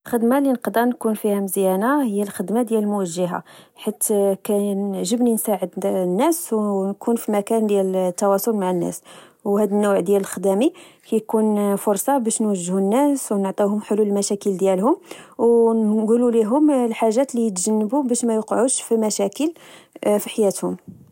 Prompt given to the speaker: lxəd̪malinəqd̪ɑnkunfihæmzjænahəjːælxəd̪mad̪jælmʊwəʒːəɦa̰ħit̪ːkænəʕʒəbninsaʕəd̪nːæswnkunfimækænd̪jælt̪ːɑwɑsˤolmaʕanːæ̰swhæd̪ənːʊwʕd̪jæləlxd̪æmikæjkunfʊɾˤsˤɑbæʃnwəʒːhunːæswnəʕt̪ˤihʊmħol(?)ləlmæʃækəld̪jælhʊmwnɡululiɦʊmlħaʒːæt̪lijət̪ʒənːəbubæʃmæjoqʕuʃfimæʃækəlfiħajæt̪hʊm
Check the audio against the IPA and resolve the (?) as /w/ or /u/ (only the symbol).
u